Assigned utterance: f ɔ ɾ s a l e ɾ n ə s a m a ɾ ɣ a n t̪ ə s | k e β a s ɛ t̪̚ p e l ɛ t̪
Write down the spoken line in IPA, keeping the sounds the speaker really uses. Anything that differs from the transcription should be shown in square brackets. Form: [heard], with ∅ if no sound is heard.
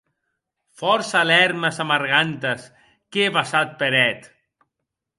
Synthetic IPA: f ɔ ɾ s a l [ɛ] ɾ [m] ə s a m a ɾ ɣ a n t̪ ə s | k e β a s [a] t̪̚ p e [ɾ] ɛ t̪